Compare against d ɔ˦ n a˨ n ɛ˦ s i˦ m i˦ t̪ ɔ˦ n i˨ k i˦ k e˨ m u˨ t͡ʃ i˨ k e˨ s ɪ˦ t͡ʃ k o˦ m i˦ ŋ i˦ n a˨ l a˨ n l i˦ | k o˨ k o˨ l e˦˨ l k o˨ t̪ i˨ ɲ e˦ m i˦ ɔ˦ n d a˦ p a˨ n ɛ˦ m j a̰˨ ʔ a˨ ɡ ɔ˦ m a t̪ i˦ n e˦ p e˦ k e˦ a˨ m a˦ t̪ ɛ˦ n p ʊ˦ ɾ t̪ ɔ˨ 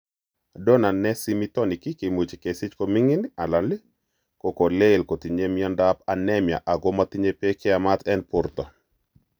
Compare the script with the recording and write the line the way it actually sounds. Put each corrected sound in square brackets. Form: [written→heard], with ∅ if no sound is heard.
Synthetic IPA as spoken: d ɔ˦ n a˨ n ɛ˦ s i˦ m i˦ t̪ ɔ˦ n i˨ k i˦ k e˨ m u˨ t͡ʃ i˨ k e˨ s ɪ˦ t͡ʃ k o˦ m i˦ ŋ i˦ n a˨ l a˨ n l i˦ | k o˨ k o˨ l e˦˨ l k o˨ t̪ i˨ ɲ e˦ m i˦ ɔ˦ n d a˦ p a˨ n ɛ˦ m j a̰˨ ʔ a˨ ɡ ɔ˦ m a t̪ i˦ [n→ɲ] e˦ p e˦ k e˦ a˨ m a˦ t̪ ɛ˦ n p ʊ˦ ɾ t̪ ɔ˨